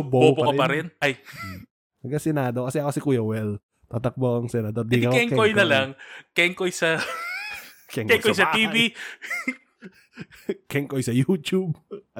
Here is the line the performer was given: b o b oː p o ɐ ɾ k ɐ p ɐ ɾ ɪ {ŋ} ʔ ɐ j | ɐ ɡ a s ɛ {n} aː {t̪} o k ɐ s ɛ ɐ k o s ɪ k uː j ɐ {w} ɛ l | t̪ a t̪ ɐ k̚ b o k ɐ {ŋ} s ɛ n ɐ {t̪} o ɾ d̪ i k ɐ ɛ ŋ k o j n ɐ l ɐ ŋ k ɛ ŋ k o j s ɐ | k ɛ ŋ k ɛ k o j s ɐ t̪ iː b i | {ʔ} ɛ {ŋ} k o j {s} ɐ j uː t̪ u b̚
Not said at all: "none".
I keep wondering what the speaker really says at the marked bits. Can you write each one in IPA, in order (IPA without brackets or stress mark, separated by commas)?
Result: n, n, d̪, w, ŋ, d̪, k, ŋ, s